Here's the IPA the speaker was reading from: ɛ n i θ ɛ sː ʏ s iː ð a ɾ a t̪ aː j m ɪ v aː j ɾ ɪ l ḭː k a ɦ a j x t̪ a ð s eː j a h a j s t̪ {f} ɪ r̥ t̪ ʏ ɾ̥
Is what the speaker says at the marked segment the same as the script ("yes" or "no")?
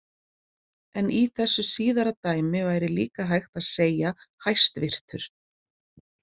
no